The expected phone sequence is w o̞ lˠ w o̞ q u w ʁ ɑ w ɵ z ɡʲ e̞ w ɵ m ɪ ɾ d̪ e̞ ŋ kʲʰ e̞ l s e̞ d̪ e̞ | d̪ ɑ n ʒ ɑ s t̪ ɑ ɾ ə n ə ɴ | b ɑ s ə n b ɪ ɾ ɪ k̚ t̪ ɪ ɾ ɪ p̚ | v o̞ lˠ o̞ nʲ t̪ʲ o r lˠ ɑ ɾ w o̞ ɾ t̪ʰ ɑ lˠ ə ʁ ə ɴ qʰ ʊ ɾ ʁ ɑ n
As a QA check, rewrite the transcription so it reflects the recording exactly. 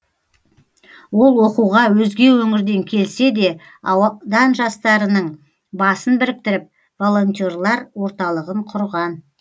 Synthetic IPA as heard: w o̞ lˠ w o̞ q u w ʁ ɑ w ɵ z ɡʲ e̞ w ɵ ŋ ɪ ɾ d̪ e̞ ŋ kʲʰ e̞ l s e̞ d̪ e̞ | d̪ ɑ n ʒ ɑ s t̪ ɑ ɾ ə n ə ɴ | b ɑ s ə n b ɪ ɾ ɪ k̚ t̪ ɪ ɾ ɪ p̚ | v o̞ lˠ o̞ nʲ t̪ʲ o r lˠ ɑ ɾ w o̞ ɾ t̪ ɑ lˠ ə ʁ ə ɴ qʰ ʊ ɾ ʁ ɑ n

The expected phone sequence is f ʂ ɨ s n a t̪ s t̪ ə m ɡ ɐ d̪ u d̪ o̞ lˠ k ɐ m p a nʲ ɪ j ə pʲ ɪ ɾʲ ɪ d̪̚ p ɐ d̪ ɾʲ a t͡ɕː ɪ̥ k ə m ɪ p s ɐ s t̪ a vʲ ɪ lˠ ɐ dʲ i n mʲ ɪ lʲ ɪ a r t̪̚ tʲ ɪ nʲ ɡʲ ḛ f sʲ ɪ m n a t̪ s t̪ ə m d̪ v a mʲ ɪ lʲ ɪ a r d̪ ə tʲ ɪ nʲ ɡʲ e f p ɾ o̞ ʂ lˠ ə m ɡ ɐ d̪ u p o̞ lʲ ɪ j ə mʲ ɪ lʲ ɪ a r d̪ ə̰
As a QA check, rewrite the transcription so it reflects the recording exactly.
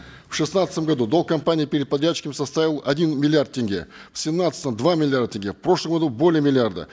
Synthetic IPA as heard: f ʂ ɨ s n a t̪ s t̪ ə m ɡ ɐ d̪ u d̪ o̞ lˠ k ɐ m p a nʲ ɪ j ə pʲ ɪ ɾʲ ɪ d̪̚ p ɐ d̪ ɾʲ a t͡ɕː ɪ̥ k ə m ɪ s ɐ s t̪ a vʲ ɪ lˠ ɐ dʲ i n mʲ ɪ lʲ ɪ a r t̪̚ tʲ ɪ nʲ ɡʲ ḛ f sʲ ɪ m n a t̪ s t̪ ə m d̪ v a mʲ ɪ lʲ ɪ a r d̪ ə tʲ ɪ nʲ ɡʲ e f p ɾ o̞ ʂ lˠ ə m ɡ ɐ d̪ u b o̞ lʲ ɪ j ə mʲ ɪ lʲ ɪ a r d̪ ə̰

